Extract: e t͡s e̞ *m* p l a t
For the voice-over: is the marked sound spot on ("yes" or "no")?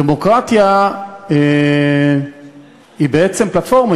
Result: yes